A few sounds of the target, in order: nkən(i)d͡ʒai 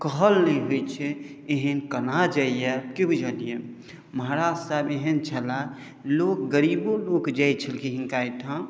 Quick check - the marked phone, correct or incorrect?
incorrect